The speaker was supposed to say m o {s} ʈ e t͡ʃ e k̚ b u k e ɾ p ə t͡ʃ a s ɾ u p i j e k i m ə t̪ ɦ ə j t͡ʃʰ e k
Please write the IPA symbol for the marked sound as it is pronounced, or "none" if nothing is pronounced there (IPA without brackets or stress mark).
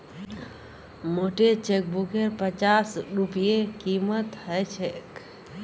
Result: none